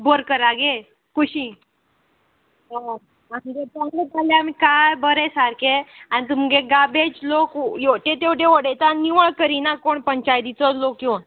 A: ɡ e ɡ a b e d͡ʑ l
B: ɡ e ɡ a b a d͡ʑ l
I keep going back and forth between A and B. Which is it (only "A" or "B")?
A